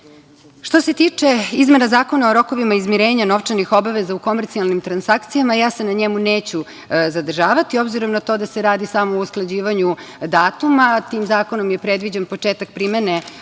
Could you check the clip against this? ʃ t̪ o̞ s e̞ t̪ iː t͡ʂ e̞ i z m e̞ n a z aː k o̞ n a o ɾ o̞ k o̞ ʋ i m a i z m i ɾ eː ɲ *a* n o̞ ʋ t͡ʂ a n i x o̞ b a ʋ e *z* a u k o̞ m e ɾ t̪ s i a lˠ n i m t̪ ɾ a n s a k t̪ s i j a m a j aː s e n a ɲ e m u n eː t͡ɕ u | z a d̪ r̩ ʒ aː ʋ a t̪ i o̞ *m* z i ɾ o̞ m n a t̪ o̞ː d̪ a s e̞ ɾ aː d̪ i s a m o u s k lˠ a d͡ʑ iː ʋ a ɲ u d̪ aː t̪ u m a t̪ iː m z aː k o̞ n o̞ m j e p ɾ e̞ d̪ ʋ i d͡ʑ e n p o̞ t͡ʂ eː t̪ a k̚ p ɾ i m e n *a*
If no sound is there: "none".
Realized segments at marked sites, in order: a, z, b, e

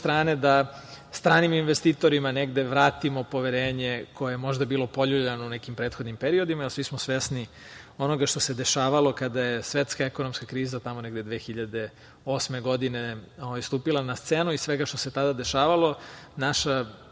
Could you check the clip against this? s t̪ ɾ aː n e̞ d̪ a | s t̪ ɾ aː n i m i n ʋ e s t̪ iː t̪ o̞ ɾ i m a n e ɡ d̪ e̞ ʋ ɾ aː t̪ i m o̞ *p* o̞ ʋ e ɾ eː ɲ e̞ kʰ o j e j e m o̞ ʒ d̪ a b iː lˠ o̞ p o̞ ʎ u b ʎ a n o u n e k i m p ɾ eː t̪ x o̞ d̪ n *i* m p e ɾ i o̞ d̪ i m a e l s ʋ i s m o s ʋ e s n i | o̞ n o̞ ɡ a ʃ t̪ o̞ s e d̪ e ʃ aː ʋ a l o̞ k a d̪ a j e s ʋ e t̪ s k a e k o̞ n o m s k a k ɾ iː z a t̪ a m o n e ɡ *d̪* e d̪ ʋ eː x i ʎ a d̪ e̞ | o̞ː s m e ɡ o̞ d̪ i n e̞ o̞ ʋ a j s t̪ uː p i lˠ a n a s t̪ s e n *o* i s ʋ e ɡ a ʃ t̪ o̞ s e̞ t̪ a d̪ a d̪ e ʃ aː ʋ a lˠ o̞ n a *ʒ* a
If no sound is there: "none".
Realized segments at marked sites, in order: p, i, d̪, u, ʃ

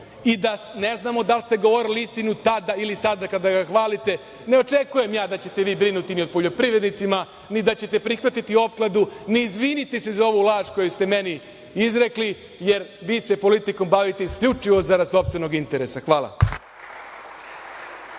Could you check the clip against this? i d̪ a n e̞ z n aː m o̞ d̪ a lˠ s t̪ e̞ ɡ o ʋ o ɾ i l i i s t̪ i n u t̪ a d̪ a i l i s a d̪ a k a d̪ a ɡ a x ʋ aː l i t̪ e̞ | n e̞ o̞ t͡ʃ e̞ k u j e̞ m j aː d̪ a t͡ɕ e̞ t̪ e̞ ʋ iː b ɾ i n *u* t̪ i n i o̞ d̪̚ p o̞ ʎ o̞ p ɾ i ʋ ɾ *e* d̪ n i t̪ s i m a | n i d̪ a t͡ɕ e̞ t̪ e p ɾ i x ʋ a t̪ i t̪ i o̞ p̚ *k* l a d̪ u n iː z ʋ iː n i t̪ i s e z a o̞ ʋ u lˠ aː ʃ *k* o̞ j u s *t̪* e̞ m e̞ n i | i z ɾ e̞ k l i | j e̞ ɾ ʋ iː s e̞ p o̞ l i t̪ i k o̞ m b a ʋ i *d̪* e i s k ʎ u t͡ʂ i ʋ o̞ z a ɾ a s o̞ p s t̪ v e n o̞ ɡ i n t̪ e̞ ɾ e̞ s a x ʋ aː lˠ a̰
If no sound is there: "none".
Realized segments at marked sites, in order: u, e, k, k, t̪, t̪

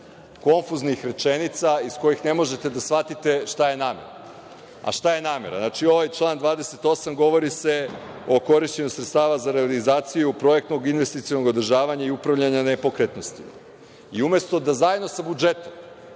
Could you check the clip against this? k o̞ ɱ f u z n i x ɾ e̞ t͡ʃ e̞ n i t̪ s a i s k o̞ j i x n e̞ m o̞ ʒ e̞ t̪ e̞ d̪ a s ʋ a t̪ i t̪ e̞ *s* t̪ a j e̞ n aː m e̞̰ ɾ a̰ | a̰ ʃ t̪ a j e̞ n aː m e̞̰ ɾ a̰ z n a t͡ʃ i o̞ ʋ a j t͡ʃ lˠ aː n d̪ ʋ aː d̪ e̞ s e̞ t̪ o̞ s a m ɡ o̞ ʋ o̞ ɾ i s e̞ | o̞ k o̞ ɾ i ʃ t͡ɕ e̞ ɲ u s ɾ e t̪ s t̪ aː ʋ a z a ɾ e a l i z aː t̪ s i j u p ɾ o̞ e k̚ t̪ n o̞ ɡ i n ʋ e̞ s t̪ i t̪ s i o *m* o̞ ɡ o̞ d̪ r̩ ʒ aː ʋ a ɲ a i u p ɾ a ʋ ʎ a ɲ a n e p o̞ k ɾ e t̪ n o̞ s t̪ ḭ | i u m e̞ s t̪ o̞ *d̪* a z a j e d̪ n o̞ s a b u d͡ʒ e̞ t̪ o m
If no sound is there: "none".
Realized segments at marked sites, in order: ʃ, n, d̪

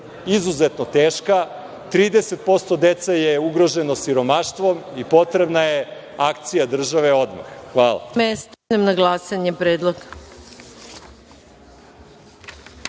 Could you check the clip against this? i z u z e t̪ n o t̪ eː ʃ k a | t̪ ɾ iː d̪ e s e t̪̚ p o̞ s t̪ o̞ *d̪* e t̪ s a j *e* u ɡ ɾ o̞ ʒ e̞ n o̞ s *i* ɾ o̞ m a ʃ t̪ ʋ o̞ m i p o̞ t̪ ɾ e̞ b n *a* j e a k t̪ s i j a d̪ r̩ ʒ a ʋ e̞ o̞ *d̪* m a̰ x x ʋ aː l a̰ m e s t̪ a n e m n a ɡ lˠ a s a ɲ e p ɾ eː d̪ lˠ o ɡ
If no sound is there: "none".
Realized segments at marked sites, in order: d̪, e, i, a, d̪

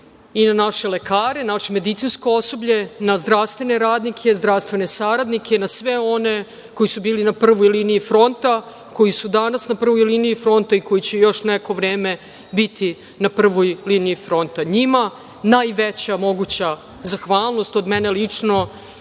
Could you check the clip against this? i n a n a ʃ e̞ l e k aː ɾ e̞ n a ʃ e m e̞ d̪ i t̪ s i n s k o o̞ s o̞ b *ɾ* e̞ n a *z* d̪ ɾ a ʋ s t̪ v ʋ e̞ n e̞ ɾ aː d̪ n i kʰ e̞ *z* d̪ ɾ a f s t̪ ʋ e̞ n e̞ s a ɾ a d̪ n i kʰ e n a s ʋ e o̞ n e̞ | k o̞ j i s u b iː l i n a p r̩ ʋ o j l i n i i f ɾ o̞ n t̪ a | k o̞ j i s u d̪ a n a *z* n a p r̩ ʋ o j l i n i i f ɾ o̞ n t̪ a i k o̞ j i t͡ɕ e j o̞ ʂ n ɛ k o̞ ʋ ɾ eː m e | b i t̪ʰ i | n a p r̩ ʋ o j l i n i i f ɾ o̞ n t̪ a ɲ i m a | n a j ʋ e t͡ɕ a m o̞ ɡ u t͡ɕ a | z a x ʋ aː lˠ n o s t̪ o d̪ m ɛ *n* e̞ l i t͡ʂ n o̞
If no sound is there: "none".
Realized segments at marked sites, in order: ʎ, z, z, s, n

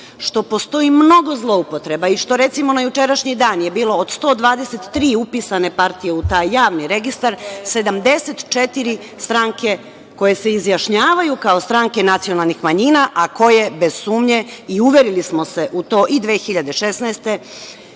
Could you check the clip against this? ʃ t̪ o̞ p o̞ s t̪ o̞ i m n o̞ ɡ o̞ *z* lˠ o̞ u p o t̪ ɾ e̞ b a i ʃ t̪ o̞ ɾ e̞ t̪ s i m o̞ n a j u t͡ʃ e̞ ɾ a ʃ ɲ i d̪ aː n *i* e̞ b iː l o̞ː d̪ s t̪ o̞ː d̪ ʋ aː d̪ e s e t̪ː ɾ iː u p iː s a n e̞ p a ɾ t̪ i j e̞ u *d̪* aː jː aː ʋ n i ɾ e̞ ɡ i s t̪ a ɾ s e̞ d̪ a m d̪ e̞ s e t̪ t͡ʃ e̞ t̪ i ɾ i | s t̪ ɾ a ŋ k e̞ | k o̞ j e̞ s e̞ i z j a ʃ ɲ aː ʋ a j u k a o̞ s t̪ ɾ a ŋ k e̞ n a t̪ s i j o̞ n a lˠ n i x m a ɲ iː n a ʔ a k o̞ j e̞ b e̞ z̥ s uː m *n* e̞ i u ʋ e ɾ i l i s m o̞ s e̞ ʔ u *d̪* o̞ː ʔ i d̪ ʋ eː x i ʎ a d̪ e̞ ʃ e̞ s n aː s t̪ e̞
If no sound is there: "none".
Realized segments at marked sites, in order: z, j, t̪, ɲ, t̪

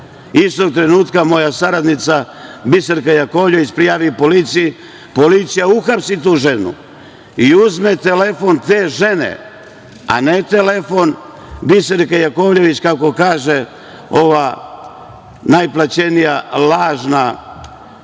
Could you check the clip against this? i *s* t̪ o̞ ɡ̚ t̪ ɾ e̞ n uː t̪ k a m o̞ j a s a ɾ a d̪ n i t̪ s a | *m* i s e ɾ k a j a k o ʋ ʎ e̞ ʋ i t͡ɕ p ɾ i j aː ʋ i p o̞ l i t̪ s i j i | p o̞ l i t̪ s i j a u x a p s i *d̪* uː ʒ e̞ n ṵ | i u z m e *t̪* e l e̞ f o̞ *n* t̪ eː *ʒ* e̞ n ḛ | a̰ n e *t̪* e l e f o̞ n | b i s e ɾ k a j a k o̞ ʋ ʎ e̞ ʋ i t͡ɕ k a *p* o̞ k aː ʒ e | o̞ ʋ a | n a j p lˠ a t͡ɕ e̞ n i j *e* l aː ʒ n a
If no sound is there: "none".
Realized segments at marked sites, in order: s, b, t̪, t̪, n, ʒ, t̪, k, a

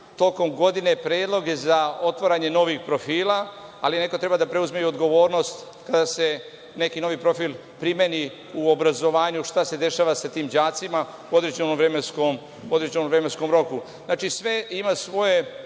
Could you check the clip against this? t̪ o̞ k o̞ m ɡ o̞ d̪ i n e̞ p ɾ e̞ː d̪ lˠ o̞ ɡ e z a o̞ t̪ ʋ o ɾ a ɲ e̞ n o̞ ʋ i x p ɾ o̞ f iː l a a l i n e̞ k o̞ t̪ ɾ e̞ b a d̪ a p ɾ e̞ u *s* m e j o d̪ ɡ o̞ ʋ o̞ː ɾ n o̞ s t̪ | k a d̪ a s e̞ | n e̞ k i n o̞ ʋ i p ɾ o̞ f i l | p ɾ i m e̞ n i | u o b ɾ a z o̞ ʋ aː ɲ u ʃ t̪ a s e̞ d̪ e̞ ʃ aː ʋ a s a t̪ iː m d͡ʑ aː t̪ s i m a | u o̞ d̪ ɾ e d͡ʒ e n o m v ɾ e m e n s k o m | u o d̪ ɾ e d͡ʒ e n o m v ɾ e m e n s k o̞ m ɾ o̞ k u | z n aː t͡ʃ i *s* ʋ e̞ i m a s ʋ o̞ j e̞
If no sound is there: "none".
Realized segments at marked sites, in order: z, s

